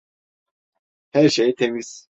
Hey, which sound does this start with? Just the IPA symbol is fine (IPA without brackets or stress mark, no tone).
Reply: h